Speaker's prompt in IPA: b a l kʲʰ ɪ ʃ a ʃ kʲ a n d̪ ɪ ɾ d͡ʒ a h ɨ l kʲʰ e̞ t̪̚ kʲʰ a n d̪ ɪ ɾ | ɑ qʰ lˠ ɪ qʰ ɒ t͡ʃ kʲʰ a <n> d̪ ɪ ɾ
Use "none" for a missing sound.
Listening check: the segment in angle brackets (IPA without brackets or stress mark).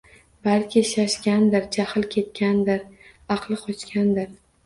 n